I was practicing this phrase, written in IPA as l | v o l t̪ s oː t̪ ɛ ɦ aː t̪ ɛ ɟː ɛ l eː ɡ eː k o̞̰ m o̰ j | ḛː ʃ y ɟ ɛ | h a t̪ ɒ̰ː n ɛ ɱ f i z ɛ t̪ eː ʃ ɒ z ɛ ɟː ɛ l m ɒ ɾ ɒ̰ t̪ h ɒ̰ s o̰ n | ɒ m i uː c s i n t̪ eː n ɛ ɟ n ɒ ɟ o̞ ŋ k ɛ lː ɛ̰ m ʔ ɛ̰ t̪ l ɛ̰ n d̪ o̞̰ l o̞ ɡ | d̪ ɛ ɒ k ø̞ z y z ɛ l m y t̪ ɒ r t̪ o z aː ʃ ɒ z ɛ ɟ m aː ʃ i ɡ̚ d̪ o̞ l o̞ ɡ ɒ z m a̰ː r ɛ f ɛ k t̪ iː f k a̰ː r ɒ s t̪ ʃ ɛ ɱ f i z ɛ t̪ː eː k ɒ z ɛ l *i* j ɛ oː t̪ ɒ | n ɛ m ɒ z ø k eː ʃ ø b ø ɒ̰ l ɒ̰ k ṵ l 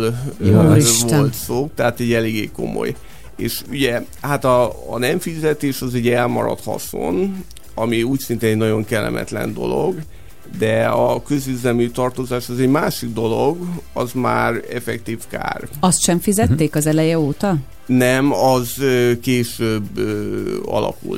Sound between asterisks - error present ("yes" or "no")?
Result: yes